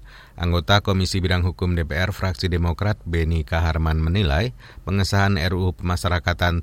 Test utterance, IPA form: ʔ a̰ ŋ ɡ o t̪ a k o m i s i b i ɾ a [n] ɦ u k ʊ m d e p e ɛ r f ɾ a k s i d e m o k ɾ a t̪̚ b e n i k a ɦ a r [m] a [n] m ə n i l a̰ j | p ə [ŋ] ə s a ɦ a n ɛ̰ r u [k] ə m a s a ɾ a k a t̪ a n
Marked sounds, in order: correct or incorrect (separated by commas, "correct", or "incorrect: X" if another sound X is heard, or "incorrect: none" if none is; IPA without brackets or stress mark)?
incorrect: ŋ, correct, correct, correct, incorrect: p